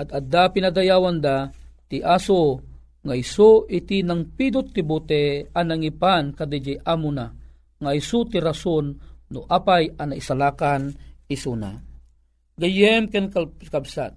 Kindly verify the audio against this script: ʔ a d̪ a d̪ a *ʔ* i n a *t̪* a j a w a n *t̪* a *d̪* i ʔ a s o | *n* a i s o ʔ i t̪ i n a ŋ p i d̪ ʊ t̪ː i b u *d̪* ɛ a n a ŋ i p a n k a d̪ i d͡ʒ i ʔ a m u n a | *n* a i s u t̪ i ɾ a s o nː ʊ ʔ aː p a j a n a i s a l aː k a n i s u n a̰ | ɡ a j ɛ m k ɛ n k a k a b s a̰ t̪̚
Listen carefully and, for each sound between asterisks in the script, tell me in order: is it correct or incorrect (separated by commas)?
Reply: incorrect, incorrect, incorrect, incorrect, incorrect, incorrect, incorrect